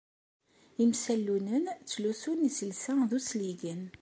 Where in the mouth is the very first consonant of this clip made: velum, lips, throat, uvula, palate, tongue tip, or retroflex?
lips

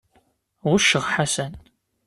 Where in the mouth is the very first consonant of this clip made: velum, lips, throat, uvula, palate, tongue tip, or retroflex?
uvula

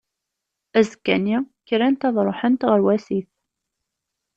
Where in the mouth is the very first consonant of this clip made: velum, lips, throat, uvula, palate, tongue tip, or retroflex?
tongue tip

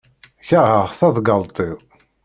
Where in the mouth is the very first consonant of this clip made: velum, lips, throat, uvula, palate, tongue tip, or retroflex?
palate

